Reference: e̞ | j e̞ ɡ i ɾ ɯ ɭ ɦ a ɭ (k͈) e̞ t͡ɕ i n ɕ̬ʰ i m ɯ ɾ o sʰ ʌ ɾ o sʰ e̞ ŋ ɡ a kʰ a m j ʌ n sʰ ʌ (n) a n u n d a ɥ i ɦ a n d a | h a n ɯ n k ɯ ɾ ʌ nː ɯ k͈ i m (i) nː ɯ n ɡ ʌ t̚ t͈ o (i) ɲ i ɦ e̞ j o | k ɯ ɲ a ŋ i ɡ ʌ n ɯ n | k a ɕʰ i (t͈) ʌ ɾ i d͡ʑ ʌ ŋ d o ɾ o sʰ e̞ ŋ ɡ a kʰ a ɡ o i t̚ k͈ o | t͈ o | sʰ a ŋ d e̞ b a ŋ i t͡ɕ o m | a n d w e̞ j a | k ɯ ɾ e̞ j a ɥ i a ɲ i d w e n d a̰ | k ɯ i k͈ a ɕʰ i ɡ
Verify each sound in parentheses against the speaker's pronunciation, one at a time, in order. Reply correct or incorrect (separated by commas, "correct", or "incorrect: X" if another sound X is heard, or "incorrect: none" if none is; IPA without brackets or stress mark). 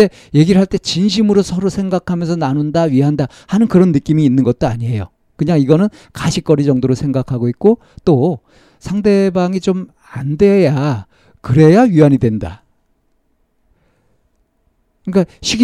incorrect: t͈, correct, incorrect: iː, incorrect: a, incorrect: k͈